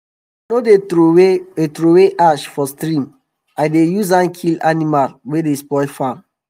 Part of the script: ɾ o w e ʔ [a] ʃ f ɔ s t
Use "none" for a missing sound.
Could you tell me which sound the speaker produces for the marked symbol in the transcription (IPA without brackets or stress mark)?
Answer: a